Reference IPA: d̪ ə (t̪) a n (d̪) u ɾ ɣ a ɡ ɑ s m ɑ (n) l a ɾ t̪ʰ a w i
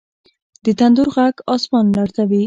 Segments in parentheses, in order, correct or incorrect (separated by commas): correct, correct, correct